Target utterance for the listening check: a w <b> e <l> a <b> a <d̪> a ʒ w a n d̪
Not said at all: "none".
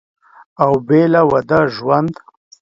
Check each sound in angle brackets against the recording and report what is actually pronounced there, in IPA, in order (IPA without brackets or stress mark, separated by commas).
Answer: b, l, w, d̪